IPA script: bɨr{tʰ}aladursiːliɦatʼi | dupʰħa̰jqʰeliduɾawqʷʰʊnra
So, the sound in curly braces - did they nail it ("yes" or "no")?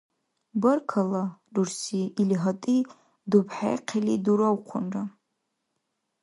no